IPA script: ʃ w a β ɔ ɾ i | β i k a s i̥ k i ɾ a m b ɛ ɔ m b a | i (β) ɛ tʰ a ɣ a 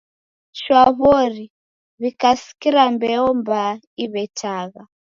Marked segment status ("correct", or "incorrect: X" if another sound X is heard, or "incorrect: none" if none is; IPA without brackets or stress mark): correct